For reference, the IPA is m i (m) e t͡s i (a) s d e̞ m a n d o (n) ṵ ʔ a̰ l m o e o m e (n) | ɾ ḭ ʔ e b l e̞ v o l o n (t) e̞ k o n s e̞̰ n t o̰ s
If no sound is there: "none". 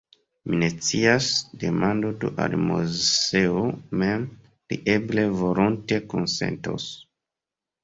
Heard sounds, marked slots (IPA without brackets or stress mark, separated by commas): n, a, d, m, t